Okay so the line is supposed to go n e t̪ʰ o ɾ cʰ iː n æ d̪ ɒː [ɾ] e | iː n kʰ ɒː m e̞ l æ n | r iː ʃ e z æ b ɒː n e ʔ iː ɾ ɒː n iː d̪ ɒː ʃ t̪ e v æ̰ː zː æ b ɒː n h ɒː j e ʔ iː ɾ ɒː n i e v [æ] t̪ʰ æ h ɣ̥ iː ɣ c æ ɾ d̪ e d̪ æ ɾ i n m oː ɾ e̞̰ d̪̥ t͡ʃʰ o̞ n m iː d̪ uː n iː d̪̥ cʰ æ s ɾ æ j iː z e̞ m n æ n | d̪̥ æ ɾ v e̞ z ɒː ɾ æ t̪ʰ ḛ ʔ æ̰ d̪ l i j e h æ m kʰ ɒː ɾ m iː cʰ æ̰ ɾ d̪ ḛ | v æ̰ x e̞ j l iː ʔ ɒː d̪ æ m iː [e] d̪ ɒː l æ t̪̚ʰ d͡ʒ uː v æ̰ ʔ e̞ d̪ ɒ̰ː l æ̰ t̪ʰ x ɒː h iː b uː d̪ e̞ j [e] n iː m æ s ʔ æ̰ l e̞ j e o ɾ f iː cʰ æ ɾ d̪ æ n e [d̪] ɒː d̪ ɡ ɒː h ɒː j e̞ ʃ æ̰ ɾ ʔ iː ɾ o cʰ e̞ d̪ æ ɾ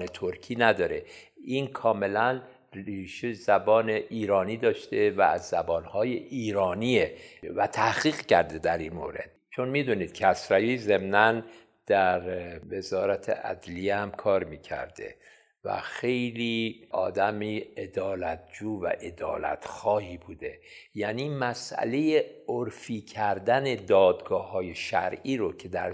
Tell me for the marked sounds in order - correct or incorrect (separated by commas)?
correct, correct, correct, incorrect, correct